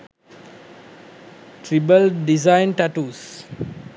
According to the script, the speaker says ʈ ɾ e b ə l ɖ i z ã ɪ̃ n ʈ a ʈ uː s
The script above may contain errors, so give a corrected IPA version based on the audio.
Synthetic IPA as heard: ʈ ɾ i b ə l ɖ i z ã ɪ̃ n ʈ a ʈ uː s